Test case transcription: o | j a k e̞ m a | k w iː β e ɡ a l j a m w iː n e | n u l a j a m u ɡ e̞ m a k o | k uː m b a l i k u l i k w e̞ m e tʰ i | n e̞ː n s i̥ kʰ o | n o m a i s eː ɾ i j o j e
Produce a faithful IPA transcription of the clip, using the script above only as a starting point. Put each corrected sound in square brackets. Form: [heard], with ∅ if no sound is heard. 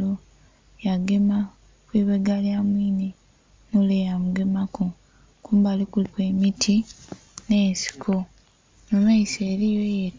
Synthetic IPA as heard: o | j a [ɡ] e̞ m a | k w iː β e ɡ a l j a m w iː n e | n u l [e] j a m u ɡ e̞ m a k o | k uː m b a l i k u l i k w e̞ m [i] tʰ i | n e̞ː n s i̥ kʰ o | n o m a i s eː ɾ i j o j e